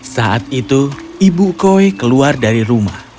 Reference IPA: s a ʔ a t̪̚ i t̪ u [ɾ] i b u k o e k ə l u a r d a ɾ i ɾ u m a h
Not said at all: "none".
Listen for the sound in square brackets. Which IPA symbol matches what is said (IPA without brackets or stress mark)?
none